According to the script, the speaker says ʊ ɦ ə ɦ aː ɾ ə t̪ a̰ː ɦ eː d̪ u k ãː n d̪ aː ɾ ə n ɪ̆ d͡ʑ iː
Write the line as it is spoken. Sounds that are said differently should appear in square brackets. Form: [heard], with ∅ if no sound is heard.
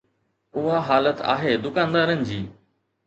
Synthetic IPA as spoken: ʊ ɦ [a] ɦ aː [l] ə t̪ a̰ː ɦ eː d̪ [ʊ] k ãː n d̪ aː ɾ ə n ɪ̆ d͡ʑ iː